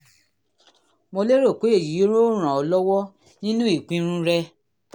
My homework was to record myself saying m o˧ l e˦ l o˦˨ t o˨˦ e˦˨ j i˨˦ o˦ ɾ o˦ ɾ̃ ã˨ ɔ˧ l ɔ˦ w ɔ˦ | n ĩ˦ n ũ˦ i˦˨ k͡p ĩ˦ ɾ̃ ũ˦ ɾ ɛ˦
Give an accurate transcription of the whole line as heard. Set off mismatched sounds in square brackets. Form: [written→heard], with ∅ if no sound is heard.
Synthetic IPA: m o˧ l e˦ [l→ɾ] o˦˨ [t→k] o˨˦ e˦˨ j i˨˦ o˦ ɾ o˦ ɾ̃ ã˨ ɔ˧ l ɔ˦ w ɔ˦ | n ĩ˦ n ũ˦ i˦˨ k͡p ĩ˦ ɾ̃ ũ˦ ɾ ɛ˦